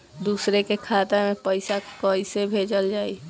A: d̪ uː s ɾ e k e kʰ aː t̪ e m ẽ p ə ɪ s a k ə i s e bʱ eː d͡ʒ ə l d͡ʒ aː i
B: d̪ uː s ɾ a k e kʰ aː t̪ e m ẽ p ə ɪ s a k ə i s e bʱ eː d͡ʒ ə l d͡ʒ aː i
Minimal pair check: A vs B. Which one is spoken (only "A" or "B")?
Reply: A